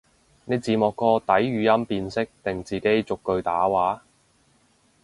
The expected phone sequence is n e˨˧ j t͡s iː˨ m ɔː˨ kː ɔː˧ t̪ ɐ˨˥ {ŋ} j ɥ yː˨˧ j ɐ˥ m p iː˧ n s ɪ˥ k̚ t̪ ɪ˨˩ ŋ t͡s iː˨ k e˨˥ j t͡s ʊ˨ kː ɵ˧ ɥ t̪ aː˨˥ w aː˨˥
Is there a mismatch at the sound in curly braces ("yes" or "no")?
yes